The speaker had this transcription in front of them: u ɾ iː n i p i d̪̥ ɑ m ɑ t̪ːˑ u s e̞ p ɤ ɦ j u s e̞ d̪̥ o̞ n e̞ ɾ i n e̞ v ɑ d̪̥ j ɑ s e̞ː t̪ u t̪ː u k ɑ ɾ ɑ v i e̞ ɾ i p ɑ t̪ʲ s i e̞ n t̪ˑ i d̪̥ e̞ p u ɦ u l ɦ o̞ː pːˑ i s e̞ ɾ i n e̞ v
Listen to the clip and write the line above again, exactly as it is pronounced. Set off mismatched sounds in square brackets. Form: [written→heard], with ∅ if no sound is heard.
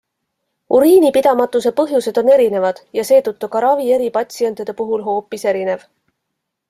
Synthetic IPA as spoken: u ɾ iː n i p i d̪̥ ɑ m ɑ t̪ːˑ u s e̞ p ɤ ɦ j u s e̞ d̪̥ o̞ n e̞ ɾ i n e̞ v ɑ d̪̥ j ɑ s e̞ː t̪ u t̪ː u k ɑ ɾ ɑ v i e̞ ɾ i p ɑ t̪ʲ s i e̞ n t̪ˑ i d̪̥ e̞ p u ɦ u l ɦ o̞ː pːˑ i s e̞ ɾ i n e̞ v